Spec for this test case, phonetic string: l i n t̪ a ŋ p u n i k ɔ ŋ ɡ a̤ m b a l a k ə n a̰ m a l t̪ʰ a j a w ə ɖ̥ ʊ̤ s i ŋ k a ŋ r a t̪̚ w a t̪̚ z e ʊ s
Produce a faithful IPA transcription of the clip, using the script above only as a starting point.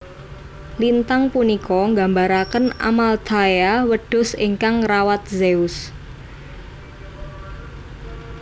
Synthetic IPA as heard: l i n t̪ a ŋ p u n i k ɔ ŋ ɡ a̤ m b a ɾ a k ə n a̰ m a l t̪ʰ a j a w ə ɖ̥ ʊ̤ s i ŋ k a ŋ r a w a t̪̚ z e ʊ s